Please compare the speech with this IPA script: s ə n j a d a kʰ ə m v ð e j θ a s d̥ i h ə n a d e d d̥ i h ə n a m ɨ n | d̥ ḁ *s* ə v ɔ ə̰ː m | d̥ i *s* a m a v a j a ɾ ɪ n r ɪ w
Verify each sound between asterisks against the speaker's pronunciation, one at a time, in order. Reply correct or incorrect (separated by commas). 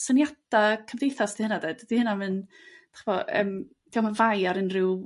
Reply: incorrect, incorrect